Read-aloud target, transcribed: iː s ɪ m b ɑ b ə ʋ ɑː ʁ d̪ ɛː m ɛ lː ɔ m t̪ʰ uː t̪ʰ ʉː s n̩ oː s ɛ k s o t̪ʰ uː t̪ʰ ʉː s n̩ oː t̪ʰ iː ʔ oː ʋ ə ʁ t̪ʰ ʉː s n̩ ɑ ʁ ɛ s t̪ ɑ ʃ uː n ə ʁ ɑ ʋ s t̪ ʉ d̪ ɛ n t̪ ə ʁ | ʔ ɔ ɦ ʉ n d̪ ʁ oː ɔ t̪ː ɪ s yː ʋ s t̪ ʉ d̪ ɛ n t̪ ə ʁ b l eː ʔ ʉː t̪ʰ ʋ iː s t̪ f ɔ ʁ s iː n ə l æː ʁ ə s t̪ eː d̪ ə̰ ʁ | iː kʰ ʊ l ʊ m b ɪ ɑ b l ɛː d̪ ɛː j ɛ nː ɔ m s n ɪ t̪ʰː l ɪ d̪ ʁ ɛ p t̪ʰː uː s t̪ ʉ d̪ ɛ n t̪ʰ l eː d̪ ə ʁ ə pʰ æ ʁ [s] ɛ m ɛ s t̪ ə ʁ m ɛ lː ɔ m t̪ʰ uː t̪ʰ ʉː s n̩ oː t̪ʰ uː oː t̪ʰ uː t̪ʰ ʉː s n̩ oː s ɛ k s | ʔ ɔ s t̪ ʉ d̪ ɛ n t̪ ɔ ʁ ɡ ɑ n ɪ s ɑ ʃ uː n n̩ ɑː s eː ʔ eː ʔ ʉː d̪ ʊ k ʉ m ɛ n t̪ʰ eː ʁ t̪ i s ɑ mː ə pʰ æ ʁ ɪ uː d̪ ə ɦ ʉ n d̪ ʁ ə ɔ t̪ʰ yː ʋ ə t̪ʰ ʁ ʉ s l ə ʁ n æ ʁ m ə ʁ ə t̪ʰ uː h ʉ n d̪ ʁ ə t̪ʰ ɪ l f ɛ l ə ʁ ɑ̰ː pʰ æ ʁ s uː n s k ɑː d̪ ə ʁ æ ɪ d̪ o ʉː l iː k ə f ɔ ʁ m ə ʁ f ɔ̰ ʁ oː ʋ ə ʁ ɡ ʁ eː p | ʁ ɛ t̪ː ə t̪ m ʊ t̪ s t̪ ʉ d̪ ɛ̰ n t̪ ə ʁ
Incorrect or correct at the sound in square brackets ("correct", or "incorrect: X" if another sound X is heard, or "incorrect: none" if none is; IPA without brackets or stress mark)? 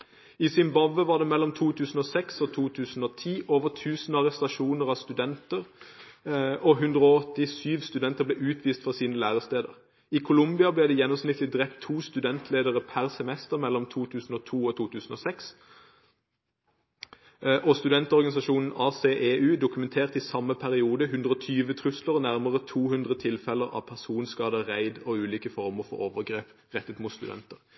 correct